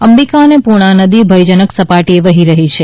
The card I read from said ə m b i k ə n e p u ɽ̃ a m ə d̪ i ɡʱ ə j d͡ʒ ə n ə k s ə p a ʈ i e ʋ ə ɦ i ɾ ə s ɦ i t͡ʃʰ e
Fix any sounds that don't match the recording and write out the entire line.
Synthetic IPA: ə m b i k a n e p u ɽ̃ a n ə d̪ i bʱ ə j d͡ʒ ə n ə k s ə p a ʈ i e ʋ ə ɦ i ɾ ə ɦ i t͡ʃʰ e